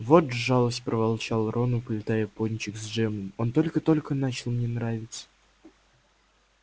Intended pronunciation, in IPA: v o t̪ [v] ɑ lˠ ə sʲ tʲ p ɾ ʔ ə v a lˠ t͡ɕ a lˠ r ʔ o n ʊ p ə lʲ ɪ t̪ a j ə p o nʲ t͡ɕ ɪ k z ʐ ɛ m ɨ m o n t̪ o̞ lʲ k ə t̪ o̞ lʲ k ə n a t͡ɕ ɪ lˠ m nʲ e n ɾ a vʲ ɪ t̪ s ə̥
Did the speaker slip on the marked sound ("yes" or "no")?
yes